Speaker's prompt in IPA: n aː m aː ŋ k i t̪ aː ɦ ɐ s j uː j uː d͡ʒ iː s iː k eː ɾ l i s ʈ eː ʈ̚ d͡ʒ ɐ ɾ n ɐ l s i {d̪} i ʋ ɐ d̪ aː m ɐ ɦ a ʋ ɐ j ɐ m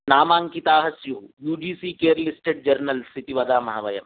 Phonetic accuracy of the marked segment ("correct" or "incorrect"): incorrect